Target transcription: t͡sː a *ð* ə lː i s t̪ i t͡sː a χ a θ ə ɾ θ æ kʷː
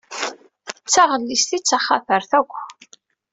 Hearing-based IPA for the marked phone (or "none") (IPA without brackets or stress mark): ʁ